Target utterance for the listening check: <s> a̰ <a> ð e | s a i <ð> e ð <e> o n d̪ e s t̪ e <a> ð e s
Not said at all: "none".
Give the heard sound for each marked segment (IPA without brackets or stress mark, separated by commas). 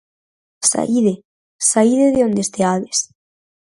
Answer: s, i, ð, e, a